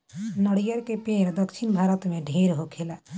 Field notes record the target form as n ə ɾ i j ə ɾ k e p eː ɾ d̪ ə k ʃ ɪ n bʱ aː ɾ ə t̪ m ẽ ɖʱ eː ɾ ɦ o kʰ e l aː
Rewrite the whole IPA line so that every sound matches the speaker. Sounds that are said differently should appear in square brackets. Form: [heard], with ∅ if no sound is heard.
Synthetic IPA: n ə [ɽ] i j ə ɾ k e p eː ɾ d̪ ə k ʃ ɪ n bʱ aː ɾ ə t̪ m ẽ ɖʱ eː ɾ ɦ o kʰ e l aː